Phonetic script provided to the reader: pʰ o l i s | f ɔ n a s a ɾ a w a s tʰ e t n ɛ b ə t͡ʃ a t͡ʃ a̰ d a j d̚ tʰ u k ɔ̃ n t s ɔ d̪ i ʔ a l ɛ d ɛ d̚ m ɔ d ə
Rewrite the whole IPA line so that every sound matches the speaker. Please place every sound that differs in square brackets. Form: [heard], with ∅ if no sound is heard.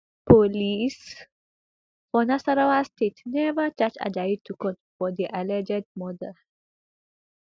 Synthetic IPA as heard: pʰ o l i s | f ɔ n a s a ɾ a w a s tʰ e t n ɛ [v] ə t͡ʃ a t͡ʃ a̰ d a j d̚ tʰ u k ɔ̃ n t [f] ɔ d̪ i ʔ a l ɛ [d͡ʒ] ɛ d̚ m ɔ d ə